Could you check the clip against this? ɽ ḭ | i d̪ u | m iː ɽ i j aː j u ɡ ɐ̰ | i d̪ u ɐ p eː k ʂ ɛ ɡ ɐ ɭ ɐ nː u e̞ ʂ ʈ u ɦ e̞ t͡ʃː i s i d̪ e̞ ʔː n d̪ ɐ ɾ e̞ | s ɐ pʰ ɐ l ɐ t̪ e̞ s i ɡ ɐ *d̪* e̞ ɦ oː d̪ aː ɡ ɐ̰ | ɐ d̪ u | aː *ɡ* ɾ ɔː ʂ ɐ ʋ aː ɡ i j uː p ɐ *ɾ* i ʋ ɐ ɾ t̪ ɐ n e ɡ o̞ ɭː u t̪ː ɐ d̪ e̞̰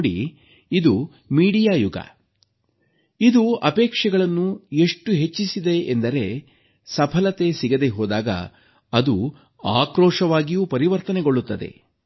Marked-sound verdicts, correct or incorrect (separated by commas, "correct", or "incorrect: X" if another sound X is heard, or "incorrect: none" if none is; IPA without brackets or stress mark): correct, incorrect: k, correct